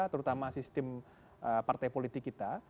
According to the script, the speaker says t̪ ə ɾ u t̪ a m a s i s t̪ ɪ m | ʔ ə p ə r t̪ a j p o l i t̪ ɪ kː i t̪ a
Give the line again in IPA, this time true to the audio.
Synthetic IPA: t̪ ə ɾ u t̪ a m a s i s t̪ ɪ m | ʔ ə p a r t̪ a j p o l i t̪ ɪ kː i t̪ a